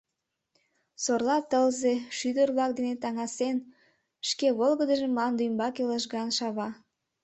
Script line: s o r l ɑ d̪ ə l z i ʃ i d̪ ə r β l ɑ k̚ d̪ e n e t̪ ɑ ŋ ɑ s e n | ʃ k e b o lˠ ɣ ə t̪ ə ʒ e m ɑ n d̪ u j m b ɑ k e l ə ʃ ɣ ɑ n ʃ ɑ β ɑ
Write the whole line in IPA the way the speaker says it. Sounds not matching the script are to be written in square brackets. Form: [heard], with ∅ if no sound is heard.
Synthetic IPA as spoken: s o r l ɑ [t̪] ə l z [e] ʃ [y] d̪ ə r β l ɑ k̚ d̪ e n e t̪ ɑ ŋ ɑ s e n | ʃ k e [β] o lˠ ɣ ə [d̪] ə ʒ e m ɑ n d̪ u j m b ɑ k e l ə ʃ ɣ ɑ n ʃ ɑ β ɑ